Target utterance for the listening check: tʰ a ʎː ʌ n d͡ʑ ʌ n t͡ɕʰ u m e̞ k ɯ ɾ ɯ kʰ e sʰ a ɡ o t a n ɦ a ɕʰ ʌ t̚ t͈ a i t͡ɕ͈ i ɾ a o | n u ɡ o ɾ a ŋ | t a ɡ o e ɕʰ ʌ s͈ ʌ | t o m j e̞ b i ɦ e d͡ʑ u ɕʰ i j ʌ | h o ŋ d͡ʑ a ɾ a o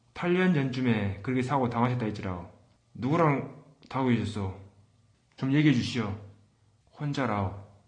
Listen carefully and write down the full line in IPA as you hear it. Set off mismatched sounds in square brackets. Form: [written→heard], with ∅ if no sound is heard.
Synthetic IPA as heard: tʰ a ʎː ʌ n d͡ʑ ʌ n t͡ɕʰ u m e̞ k ɯ ɾ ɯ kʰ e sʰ a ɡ o t a [n→ŋ] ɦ a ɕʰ ʌ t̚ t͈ a i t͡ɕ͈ i ɾ a o | n u ɡ [o→u] ɾ a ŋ | t a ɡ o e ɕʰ ʌ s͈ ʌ | [t→t͡ɕ] o m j e̞ [b→ɡ] i ɦ e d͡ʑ u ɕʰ i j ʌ | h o [ŋ→n] d͡ʑ a ɾ a o